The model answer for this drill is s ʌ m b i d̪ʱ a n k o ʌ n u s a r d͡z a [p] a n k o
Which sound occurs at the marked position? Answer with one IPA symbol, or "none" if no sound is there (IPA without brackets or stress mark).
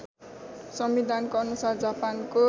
p